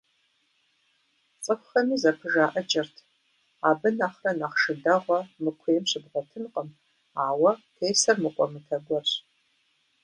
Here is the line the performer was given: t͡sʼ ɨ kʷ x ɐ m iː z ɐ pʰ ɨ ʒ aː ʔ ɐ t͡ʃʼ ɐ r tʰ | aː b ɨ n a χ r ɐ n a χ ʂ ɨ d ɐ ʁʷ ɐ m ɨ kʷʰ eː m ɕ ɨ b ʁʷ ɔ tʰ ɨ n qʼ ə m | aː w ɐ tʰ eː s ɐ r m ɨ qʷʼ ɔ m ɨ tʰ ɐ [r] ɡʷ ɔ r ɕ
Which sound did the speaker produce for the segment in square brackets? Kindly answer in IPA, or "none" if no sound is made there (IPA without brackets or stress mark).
none